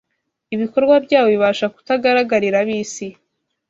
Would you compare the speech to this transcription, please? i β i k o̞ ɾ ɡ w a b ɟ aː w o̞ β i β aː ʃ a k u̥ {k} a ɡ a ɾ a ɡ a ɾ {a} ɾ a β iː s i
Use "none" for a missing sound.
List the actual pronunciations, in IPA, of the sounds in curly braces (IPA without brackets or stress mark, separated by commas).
t, i